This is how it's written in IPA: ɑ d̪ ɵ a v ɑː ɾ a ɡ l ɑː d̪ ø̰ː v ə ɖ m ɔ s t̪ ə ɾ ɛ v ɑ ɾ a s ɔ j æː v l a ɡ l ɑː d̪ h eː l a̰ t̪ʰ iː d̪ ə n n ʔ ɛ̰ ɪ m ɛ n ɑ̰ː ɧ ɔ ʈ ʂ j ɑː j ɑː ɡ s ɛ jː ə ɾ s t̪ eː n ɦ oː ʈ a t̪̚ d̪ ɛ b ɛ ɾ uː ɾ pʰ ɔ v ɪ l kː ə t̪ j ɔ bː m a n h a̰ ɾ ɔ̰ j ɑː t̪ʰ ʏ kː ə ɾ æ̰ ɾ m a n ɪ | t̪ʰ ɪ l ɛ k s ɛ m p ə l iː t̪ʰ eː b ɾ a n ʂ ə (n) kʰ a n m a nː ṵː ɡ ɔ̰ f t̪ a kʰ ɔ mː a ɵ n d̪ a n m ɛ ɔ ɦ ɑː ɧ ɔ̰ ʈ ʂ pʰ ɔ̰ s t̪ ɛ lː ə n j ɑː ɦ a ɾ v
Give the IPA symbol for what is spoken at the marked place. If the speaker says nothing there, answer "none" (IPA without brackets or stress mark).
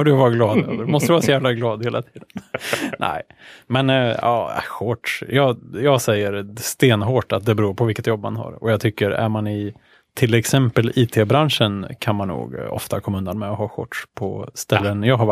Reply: n